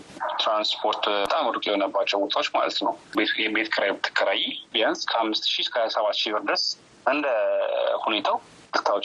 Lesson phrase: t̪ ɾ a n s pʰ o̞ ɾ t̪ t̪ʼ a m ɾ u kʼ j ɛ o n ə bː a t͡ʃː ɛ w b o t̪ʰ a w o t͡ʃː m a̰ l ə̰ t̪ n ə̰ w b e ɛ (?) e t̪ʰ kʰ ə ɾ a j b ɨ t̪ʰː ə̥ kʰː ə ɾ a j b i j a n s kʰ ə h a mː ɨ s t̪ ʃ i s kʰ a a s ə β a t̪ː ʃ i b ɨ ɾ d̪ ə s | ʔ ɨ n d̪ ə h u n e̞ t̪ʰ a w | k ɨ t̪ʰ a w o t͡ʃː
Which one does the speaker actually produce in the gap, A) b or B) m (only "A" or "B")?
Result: A